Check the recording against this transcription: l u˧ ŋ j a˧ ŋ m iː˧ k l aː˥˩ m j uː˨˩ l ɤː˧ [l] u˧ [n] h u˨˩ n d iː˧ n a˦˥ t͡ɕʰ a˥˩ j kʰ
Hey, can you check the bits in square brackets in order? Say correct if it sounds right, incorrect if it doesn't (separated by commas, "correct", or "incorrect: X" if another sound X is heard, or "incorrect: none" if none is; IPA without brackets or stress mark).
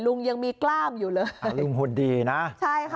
correct, incorrect: ŋ